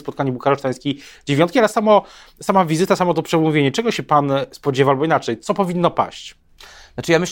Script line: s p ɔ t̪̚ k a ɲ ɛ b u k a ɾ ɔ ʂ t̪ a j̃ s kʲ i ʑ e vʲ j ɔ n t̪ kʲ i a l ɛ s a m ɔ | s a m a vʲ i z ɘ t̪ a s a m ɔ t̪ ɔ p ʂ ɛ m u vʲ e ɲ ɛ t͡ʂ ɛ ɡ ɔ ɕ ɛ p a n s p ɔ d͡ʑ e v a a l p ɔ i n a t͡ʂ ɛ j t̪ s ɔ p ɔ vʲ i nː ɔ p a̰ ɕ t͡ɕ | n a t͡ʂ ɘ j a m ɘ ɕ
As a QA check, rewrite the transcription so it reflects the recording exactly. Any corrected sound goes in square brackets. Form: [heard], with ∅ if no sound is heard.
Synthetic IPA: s p ɔ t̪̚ k a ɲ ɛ b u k a ɾ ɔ ʂ t̪ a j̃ s kʲ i [d͡ʑ] e vʲ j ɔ n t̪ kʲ i a l ɛ s a m ɔ | s a m a vʲ i z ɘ t̪ a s a m ɔ t̪ ɔ p ʂ ɛ m u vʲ e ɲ ɛ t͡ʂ ɛ ɡ ɔ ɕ ɛ p a n s p ɔ d͡ʑ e v a a l [b] ɔ i n a t͡ʂ ɛ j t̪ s ɔ p ɔ vʲ i nː ɔ p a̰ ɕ t͡ɕ | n a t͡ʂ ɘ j a m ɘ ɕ